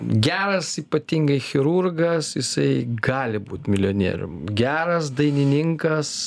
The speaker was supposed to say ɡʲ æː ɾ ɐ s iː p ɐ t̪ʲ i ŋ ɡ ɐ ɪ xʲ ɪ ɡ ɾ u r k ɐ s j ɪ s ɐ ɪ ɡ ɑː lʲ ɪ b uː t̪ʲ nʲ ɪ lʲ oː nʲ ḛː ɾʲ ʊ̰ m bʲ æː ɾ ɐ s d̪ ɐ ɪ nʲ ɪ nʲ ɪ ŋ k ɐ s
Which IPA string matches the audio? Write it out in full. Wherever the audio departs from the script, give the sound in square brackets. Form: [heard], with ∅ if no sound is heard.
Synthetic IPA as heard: ɡʲ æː ɾ ɐ s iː p ɐ t̪ʲ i ŋ ɡ ɐ ɪ xʲ ɪ [∅] ɾ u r [ɡ] ɐ s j ɪ s ɐ ɪ ɡ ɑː lʲ ɪ b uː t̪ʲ [mʲ] ɪ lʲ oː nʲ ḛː ɾʲ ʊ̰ m [ɡʲ] æː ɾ ɐ s d̪ ɐ ɪ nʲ ɪ nʲ ɪ ŋ k ɐ s